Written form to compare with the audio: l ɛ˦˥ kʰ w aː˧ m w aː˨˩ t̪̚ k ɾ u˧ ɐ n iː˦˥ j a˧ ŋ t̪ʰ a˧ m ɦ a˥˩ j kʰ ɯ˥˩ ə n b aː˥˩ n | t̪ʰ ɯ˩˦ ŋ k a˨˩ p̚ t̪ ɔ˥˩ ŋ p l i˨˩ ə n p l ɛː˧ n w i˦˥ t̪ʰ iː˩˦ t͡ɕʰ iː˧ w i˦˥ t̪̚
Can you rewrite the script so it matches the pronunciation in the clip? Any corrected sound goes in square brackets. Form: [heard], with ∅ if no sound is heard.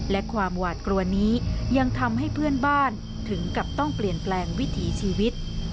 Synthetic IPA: l ɛ˦˥ kʰ w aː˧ m w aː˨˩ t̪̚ k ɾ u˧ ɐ n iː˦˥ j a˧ ŋ t̪ʰ a˧ m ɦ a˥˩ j [pʰ] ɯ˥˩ ə n b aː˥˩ n | t̪ʰ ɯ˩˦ ŋ k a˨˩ p̚ t̪ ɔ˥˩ ŋ p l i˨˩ ə n p l ɛː˧ [ŋ] w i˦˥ t̪ʰ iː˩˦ t͡ɕʰ iː˧ w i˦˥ t̪̚